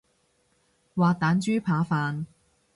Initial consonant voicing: voiced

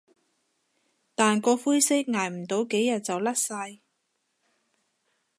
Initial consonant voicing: voiceless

